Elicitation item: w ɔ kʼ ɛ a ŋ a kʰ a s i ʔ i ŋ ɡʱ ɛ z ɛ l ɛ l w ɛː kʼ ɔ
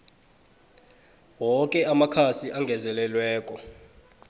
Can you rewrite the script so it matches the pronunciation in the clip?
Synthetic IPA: w ɔ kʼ ɛ a m a kʰ a s i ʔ a ŋ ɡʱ ɛ z ɛ l ɛ l w ɛː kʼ ɔ